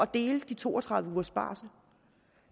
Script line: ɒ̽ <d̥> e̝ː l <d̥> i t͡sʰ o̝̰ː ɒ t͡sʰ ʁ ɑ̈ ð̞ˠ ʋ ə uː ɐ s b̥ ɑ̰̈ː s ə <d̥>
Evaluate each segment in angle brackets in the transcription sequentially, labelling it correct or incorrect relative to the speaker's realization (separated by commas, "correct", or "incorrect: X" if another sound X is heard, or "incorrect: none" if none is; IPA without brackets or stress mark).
correct, correct, incorrect: none